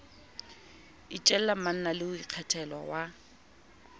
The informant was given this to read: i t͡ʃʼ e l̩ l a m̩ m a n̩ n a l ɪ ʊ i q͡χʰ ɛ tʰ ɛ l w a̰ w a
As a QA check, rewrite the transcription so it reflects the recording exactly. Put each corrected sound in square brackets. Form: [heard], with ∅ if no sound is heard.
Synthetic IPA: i t͡ʃʼ [ɛ] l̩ l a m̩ m a n̩ n a l ɪ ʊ i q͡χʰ ɛ tʰ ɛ l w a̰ w a